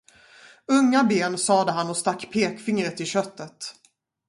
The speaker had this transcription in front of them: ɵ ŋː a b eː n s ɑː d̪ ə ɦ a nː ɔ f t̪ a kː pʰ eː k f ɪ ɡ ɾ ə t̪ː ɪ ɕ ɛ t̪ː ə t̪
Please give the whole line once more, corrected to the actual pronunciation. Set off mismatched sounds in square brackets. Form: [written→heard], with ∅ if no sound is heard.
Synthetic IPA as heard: ɵ ŋː a b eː n s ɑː d̪ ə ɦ a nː ɔ [f→s] t̪ a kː pʰ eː k f ɪ [ɡ→ŋ] ɾ ə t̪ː ɪ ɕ [ɛ→œ] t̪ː ə t̪

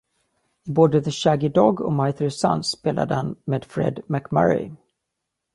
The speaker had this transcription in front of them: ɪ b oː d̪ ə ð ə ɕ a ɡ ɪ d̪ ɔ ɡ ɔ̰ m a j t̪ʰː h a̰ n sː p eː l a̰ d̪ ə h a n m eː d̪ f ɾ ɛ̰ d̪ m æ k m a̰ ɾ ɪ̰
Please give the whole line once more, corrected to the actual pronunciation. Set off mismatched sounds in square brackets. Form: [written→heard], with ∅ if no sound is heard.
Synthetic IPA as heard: ɪ b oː d̪ ə ð ə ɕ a ɡ ɪ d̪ ɔ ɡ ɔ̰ m a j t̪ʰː [h→s] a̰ n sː p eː l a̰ d̪ ə h a n m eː d̪ f ɾ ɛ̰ d̪ m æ k m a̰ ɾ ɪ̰

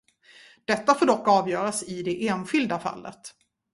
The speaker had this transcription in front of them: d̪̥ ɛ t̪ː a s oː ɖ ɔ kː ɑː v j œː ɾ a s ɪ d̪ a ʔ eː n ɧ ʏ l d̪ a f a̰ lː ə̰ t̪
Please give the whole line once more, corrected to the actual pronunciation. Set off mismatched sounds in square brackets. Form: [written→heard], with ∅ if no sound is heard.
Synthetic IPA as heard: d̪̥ ɛ t̪ː a [s→f] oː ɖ ɔ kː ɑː v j œː ɾ a s ɪ d̪ [a→ɛ] ʔ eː n ɧ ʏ l d̪ a f a̰ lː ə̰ t̪

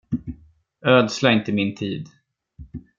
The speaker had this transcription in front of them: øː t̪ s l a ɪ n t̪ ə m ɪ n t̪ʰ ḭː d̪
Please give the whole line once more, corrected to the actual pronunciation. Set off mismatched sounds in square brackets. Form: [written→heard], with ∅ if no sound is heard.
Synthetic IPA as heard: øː [t̪→d̪] s l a ɪ n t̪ ə m ɪ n t̪ʰ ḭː d̪

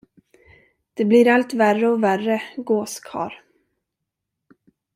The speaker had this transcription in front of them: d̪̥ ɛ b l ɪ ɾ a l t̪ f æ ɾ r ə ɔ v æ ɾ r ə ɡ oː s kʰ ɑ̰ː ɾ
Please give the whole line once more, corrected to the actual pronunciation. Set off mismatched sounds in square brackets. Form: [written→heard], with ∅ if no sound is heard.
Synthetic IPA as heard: d̪̥ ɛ b l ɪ ɾ a l t̪ [f→v] æ [ɾ→∅] r ə ɔ v æ [ɾ→∅] r ə ɡ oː s kʰ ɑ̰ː ɾ

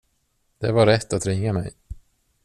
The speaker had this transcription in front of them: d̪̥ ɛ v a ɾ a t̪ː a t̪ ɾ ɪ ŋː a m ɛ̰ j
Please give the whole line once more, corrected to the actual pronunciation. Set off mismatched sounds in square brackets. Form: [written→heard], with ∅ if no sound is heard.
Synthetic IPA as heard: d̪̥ ɛ v a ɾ [a→ɛ] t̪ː a t̪ ɾ ɪ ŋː a m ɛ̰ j

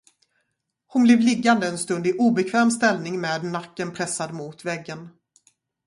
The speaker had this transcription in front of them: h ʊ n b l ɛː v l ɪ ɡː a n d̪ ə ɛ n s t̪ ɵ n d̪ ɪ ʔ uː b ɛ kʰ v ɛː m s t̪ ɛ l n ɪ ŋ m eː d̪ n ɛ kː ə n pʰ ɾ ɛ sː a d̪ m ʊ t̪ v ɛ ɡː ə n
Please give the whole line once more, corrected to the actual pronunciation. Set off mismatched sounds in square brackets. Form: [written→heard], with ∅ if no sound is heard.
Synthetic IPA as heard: h ʊ n b l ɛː v l ɪ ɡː a n d̪ ə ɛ n s t̪ ɵ n d̪ ɪ ʔ uː b ɛ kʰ v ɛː m s t̪ ɛ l n ɪ ŋ m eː d̪ n [ɛ→a] kː ə n pʰ ɾ ɛ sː a d̪ m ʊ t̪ v ɛ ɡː ə n

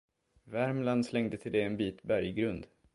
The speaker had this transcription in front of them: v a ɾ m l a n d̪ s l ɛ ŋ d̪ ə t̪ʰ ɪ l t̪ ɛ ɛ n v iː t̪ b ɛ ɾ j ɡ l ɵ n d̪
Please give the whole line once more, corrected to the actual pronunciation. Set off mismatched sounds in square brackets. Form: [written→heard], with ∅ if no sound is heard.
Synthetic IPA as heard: v [a→æ] ɾ m l a n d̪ s l ɛ ŋ d̪ ə t̪ʰ ɪ l [t̪→d̪] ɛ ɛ n [v→b] iː t̪ b [ɛ→æ] ɾ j ɡ [l→ɾ] ɵ n d̪

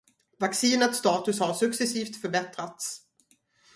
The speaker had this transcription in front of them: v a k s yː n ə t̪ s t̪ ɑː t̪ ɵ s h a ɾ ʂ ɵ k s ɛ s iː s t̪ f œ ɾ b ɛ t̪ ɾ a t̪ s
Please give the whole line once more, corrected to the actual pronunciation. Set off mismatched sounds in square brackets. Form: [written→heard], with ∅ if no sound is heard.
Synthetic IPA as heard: v a k s [yː→iː] n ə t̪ s t̪ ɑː t̪ ɵ s h a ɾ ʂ ɵ k s ɛ s iː [s→f] t̪ f œ ɾ b ɛ t̪ ɾ a t̪ s

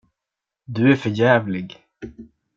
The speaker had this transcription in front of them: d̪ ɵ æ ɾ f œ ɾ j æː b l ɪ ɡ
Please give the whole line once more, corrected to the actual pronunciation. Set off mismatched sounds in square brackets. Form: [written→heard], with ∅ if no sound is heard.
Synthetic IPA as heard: d̪ ɵ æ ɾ f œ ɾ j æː [b→v] l ɪ ɡ

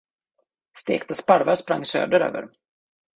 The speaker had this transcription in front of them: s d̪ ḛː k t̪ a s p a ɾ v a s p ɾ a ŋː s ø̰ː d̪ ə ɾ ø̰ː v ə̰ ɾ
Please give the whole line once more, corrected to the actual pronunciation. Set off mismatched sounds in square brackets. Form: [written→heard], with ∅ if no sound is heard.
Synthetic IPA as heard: s [d̪→t̪] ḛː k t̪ a s p a ɾ v a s p ɾ a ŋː s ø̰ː d̪ ə ɾ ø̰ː v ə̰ ɾ

